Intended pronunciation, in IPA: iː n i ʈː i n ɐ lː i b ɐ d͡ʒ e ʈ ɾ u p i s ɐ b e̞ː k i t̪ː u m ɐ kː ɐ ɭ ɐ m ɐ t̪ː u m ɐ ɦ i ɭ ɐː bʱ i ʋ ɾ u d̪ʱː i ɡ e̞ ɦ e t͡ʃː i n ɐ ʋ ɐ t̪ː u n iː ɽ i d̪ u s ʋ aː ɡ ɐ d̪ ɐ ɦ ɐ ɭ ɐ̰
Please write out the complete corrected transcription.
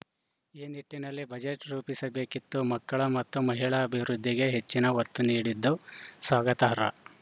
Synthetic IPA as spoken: iː n i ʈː i n ɐ lː i b ɐ d͡ʒ e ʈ ɾ uː p i s ɐ b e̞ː k i t̪ː u m ɐ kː ɐ ɭ ɐ m ɐ t̪ː u m ɐ ɦ i ɭ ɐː bʱ i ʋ ɾ u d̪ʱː i ɡ e̞ ɦ e t͡ʃː i n ɐ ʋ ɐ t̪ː u n iː ɽ i d̪ː u s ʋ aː ɡ ɐ t̪ ɐ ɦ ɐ ɾ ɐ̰